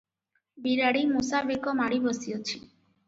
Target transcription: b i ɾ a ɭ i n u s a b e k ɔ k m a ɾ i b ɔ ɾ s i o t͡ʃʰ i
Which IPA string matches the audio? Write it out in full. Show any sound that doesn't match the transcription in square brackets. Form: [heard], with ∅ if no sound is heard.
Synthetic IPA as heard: b i ɾ a [ɽ] i [m] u s a b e k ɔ [∅] m a [ɽ] i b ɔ [∅] s i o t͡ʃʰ i